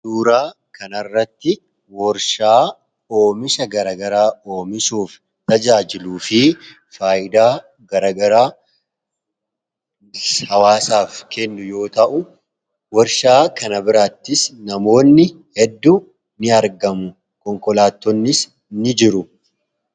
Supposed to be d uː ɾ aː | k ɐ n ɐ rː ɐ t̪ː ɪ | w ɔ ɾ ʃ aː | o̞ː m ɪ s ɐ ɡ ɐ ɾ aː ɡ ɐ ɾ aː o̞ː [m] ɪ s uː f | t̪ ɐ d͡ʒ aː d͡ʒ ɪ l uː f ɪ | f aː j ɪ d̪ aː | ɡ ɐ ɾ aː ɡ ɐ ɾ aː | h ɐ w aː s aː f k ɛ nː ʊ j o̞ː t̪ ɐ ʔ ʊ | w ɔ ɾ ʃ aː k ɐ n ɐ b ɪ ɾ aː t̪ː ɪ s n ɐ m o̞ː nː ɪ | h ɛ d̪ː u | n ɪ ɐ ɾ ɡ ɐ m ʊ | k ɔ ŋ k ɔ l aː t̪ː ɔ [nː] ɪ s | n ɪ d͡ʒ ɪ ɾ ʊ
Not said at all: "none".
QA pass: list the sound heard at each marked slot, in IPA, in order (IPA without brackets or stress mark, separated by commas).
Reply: m, nː